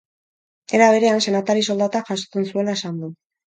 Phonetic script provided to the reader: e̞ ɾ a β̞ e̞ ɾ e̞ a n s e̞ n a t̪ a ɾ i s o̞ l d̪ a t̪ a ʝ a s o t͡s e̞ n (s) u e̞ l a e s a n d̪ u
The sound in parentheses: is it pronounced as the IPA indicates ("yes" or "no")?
yes